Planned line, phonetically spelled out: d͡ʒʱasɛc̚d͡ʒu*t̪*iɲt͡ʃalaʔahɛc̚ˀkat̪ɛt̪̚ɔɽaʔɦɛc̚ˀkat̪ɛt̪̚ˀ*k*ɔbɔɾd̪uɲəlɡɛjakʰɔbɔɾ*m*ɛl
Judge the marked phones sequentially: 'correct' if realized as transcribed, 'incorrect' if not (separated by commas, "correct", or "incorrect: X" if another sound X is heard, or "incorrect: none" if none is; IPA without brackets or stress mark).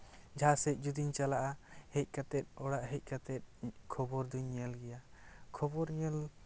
incorrect: d̪, incorrect: kʰ, incorrect: ɲ